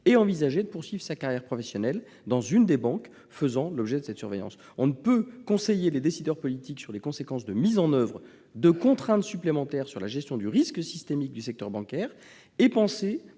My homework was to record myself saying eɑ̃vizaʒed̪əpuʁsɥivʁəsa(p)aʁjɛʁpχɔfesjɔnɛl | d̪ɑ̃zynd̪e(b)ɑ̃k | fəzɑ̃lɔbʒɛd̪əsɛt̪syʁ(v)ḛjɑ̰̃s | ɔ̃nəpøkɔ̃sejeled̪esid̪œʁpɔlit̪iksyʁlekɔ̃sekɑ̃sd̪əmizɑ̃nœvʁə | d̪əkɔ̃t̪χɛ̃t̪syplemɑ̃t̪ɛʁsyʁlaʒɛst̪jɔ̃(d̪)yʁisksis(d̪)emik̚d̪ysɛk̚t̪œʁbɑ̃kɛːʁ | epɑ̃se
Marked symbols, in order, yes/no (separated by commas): no, yes, yes, yes, no